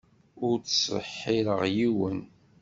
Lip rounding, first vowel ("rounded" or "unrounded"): rounded